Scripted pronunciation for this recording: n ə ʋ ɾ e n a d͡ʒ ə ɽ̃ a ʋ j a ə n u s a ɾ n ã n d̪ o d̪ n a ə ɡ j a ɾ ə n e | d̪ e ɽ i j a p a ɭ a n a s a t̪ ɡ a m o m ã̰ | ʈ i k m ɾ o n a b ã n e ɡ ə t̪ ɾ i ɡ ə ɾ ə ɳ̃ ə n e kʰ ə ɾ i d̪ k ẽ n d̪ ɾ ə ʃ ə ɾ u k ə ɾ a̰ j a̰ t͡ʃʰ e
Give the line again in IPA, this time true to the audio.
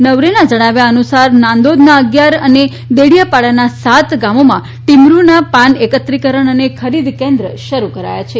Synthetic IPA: n ə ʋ ɾ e n a d͡ʒ ə ɽ̃ a ʋ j a ə n u s a ɾ n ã n d̪ o d̪ n a ə ɡ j a ɾ ə n e | d̪ e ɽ i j a p a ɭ a n a s a t̪ ɡ a m o m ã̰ | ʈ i m ɾ u n a p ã n e k ə t̪ ɾ i k ə ɾ ə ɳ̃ ə n e kʰ ə ɾ i d̪ k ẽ n d̪ ɾ ə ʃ ə ɾ u k ə ɾ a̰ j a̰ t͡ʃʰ e